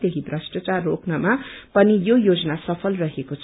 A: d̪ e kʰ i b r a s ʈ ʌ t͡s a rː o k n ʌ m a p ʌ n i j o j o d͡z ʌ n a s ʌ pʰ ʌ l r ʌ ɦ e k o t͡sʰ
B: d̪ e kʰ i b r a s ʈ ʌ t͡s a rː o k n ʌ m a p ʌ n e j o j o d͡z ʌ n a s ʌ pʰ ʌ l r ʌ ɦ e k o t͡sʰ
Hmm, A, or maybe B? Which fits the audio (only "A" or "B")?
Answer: A